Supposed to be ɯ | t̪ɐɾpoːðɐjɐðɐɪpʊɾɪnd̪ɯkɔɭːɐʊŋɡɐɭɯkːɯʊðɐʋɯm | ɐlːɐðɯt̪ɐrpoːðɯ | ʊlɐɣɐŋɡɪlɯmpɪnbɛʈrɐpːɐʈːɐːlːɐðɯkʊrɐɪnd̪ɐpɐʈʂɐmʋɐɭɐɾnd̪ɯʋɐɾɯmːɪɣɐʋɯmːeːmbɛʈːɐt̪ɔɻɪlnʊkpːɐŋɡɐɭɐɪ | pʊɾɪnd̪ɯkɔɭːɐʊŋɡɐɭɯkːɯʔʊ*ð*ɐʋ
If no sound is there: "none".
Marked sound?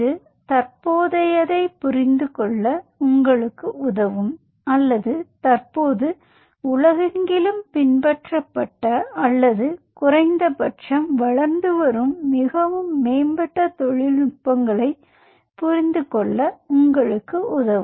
ð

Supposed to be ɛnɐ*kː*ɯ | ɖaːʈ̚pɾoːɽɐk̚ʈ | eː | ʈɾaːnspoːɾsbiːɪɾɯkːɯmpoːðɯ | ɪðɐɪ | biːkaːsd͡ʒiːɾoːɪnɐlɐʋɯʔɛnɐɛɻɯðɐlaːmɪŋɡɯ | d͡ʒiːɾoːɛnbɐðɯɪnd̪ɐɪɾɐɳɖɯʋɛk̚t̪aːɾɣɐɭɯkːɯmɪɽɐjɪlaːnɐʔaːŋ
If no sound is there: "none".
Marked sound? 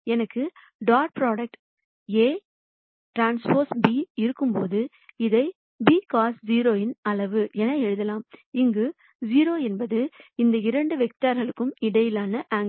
kː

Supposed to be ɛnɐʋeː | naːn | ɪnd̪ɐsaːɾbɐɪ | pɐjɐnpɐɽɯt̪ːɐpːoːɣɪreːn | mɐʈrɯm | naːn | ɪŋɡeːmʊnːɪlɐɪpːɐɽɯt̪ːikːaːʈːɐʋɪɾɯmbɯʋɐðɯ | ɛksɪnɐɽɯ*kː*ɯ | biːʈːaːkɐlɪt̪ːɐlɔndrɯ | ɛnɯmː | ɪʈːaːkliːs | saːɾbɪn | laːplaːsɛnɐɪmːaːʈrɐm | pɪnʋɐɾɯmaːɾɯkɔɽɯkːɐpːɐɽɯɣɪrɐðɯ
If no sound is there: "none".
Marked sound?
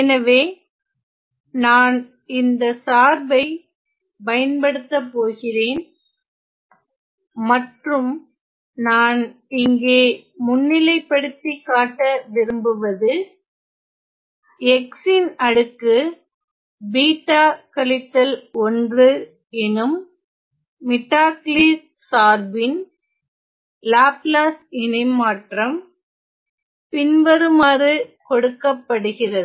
kː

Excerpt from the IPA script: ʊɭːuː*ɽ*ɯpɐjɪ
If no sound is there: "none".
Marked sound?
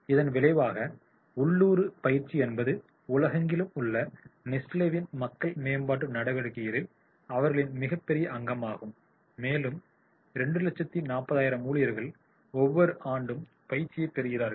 ɾ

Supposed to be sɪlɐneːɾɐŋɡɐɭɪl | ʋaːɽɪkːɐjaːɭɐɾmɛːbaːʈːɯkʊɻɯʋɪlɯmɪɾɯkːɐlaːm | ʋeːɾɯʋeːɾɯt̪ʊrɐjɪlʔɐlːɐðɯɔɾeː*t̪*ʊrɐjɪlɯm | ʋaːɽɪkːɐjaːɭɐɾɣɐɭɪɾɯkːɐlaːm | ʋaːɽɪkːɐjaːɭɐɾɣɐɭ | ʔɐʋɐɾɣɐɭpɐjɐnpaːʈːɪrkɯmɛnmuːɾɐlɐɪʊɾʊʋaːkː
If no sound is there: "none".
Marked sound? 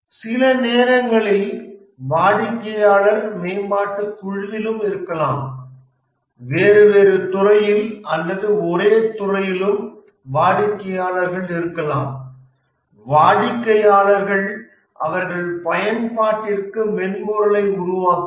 t̪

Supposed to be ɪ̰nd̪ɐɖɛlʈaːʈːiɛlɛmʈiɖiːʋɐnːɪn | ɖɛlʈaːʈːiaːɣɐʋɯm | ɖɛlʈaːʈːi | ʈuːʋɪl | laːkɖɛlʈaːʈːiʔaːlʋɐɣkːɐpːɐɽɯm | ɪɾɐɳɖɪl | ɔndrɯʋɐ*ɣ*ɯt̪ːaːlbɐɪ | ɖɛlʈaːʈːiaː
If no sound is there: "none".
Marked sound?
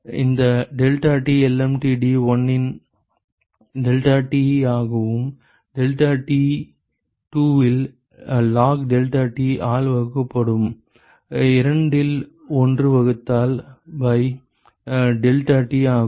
ɣ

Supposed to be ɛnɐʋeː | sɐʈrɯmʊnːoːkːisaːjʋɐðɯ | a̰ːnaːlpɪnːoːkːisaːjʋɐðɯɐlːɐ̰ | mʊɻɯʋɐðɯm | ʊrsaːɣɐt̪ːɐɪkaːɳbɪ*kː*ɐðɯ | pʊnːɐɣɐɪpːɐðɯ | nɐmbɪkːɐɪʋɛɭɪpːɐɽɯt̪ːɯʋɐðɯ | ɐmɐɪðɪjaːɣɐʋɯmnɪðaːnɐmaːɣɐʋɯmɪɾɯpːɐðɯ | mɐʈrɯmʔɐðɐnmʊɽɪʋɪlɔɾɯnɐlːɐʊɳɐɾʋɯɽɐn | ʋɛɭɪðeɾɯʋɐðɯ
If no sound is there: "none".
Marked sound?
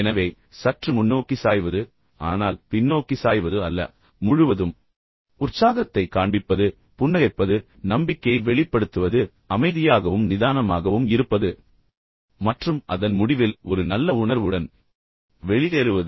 pː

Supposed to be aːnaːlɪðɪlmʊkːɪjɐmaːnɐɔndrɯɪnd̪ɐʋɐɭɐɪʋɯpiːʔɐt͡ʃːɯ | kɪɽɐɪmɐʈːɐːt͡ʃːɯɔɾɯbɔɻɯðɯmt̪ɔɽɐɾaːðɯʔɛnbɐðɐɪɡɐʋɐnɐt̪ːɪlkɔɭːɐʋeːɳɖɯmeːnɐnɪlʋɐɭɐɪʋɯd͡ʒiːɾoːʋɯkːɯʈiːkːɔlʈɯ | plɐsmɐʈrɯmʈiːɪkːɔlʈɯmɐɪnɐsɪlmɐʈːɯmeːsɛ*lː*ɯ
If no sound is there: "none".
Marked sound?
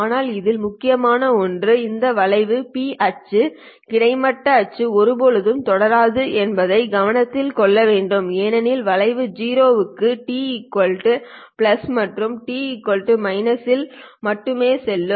lː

